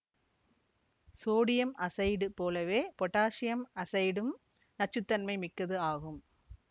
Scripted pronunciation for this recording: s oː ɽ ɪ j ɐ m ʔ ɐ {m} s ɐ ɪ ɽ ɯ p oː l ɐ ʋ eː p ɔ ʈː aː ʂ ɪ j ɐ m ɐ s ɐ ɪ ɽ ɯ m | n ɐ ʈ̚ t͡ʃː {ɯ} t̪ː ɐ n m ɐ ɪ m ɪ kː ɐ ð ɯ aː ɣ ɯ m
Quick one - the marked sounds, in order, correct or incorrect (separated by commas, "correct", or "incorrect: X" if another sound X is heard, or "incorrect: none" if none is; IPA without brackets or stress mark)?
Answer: incorrect: none, correct